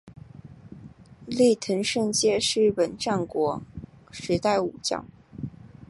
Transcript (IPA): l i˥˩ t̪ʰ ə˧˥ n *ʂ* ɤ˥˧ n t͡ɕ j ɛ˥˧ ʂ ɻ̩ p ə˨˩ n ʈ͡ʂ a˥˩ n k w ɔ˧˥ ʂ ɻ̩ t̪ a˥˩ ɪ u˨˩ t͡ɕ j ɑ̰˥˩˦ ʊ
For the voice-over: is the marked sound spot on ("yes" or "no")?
yes